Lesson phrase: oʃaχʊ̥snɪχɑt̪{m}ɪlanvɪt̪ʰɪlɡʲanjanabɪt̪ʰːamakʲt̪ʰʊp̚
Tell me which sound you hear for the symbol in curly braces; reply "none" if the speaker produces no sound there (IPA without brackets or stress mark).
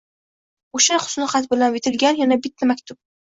b